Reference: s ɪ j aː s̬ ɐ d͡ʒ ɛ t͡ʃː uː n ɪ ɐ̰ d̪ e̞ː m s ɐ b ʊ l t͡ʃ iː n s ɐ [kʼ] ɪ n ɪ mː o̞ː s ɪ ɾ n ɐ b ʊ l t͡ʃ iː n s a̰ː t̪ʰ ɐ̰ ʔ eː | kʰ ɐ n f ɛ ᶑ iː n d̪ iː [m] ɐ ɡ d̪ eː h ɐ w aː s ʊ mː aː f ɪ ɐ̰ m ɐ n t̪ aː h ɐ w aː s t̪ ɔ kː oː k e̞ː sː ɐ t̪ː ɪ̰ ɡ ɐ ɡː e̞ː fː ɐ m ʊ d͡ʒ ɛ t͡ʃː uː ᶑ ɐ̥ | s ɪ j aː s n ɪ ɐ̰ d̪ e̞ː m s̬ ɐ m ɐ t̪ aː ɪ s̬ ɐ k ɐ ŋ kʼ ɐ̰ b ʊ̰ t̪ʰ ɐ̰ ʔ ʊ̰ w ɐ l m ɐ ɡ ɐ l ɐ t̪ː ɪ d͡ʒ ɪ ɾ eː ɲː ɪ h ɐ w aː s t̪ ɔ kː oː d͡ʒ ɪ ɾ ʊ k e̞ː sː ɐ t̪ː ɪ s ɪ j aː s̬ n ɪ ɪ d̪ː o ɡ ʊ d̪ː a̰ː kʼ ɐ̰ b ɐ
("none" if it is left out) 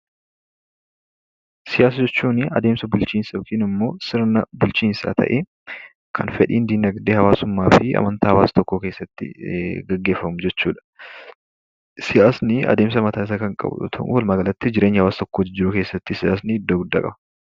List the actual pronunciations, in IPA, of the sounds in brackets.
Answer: k, n

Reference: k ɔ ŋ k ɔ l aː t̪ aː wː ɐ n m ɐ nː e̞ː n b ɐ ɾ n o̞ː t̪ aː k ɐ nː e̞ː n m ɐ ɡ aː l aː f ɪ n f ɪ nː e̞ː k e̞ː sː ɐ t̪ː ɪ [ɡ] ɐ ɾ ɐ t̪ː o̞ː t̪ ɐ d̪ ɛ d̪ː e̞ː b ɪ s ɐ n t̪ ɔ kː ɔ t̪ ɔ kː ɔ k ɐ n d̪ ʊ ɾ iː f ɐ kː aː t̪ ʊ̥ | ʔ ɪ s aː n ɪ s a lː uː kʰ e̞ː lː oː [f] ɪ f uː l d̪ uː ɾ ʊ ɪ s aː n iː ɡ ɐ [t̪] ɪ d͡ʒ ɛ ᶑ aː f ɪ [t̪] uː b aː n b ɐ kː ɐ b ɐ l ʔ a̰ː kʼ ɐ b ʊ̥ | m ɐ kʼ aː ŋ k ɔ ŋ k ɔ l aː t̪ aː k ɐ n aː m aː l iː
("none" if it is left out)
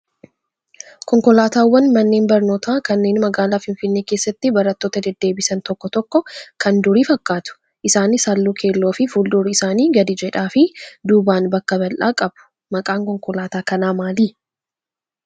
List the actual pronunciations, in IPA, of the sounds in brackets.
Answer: b, f, d̪, d̪

